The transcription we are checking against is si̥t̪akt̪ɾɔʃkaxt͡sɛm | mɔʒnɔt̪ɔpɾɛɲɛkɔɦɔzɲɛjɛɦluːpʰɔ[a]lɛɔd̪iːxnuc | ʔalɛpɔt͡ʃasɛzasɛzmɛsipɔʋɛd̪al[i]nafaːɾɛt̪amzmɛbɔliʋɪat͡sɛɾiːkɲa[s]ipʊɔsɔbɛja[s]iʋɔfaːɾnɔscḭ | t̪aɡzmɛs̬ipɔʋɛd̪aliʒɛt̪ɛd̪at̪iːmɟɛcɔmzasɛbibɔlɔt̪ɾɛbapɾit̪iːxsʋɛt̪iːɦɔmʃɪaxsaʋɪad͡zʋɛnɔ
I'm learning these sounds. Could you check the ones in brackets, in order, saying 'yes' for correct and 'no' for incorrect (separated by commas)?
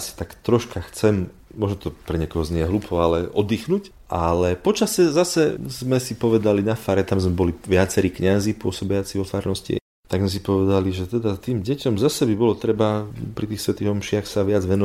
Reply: yes, yes, no, no